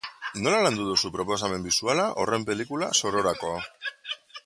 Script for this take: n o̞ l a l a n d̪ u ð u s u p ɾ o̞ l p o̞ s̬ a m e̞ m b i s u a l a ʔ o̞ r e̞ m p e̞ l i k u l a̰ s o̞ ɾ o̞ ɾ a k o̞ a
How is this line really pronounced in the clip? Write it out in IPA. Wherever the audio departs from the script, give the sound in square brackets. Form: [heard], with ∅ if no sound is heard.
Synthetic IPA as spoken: n o̞ l a l a n d̪ u ð u s u p ɾ o̞ [∅] p o̞ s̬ a m e̞ m b i s u a l a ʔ o̞ r e̞ m p e̞ l i k u l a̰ s o̞ ɾ o̞ ɾ a k o̞ a